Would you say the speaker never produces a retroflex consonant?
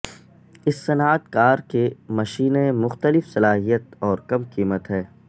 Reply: yes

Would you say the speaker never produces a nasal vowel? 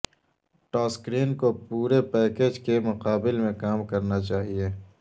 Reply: no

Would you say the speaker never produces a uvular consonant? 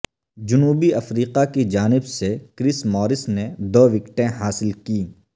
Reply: no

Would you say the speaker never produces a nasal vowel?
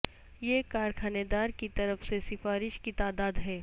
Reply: yes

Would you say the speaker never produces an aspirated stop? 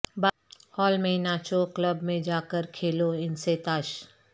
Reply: no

